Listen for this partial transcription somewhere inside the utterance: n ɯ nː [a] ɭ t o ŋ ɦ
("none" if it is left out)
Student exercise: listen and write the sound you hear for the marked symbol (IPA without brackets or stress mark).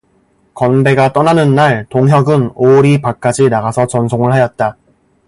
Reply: a